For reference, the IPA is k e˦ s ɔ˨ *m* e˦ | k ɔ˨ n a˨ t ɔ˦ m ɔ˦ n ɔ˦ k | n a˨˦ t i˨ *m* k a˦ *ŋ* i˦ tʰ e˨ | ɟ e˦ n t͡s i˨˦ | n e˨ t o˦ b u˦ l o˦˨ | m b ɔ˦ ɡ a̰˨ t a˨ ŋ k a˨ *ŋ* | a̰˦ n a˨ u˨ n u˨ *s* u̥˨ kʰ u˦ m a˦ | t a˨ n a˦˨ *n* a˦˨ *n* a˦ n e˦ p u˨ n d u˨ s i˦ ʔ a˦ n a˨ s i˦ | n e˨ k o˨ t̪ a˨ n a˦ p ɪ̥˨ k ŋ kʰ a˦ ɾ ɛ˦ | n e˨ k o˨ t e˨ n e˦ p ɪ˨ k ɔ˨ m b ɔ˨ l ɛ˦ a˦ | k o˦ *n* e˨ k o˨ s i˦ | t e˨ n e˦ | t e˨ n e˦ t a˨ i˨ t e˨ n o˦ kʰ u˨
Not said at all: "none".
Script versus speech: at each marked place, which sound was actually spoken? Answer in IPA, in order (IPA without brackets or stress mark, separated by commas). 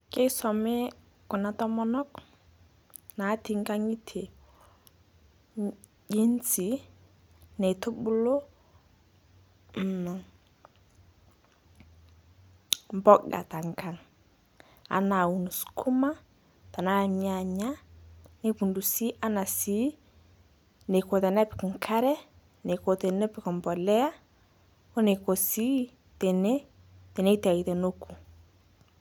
m, ŋ, ŋ, ŋ, s, ɲ, ɲ, n